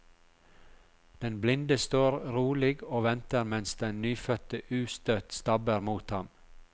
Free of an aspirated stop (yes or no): yes